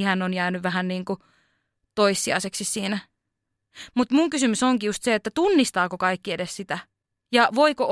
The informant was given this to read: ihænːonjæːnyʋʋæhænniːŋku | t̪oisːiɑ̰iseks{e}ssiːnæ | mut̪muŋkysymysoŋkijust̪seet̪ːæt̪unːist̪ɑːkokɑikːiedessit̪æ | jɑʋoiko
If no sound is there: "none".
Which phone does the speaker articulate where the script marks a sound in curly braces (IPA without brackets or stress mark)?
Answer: i